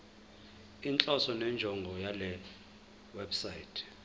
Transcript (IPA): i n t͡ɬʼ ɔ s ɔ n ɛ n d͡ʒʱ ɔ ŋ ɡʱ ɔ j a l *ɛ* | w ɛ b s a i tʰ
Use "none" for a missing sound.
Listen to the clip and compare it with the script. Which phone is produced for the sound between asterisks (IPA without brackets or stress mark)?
ɛ